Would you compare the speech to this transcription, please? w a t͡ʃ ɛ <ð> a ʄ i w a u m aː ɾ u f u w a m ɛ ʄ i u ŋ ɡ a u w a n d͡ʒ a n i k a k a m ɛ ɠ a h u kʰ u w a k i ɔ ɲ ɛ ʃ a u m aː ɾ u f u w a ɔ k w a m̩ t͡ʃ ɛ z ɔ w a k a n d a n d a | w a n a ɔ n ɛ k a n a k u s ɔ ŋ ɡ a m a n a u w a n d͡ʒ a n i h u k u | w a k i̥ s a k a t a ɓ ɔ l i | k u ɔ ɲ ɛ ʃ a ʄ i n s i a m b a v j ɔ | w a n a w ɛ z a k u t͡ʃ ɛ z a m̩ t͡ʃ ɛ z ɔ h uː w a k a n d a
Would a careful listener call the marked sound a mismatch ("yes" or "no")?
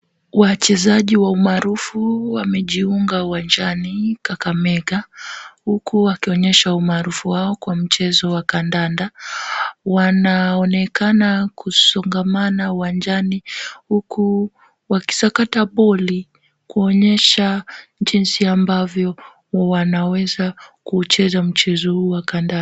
yes